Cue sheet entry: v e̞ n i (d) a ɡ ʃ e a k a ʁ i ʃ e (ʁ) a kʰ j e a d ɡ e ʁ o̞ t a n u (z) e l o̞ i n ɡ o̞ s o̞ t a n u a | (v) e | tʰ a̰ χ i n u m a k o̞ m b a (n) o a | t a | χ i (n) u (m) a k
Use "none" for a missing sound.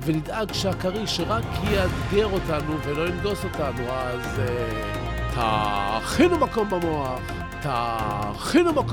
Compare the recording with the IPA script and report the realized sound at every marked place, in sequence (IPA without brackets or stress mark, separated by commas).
d, ʁ, v, z, m, n, m